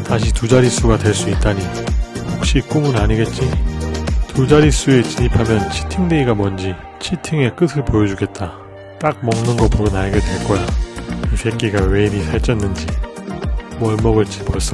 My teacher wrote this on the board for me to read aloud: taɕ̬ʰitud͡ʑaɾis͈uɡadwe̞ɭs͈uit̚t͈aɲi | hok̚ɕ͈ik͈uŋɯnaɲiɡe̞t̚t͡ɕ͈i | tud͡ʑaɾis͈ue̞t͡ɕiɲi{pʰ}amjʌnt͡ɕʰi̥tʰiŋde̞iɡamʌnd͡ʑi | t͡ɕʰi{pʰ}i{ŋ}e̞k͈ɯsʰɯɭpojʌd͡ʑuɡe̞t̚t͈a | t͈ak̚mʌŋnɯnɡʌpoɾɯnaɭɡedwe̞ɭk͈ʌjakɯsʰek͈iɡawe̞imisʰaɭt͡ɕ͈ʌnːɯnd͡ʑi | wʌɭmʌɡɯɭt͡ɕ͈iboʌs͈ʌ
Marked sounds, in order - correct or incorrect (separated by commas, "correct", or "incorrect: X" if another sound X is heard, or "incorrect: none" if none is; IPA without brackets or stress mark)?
correct, incorrect: tʰ, correct